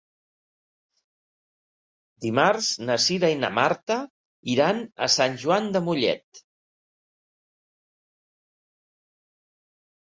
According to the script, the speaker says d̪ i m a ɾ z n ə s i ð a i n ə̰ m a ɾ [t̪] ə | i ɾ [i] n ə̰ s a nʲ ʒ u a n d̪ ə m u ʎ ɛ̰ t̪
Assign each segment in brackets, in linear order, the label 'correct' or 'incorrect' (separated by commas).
correct, incorrect